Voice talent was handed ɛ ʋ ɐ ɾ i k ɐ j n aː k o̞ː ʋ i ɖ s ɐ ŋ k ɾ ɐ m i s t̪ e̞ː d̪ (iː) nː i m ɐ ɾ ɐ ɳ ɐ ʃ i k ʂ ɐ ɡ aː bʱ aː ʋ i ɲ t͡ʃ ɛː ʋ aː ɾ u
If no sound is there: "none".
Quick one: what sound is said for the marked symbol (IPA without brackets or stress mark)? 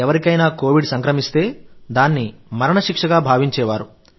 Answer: aː